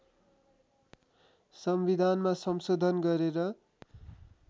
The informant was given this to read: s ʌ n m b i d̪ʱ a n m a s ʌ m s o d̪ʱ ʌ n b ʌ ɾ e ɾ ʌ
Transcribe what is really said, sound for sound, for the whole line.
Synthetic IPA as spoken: s ʌ m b i d̪ʱ a n m a s ʌ m s o d̪ʱ ʌ n ɡ ʌ ɾ e ɾ ʌ